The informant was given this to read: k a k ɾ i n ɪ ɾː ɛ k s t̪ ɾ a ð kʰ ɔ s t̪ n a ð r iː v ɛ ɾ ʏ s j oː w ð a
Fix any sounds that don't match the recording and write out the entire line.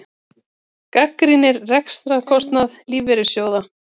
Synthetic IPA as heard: k a k ɾ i n ɪ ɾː ɛ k s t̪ ɾ a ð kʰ ɔ s t̪ n a ð l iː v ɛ ɾ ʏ s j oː w ð a